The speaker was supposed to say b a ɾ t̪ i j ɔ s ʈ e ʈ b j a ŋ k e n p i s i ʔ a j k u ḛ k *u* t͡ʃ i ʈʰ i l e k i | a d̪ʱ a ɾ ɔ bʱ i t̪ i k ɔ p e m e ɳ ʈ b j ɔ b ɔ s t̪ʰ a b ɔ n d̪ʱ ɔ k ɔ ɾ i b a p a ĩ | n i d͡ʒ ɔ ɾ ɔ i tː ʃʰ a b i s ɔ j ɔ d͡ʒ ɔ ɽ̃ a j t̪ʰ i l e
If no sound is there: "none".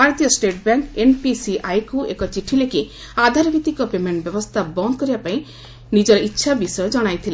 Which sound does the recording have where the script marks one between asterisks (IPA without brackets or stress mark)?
ɔ